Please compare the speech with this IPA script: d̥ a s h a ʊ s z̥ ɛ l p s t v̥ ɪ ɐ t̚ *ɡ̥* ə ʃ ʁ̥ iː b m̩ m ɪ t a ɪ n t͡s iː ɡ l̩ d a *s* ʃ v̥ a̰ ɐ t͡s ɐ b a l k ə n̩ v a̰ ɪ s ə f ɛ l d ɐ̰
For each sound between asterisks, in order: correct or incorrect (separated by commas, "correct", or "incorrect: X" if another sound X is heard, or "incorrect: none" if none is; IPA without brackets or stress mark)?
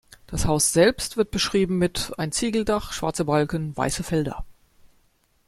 incorrect: b̥, incorrect: χ